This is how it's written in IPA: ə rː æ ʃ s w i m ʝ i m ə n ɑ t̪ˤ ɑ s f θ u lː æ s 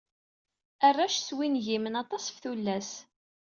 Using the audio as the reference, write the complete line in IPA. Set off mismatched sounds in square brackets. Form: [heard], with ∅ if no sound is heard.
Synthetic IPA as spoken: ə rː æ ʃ s w i [n] ʝ i m ə n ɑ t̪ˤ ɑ s f θ u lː æ s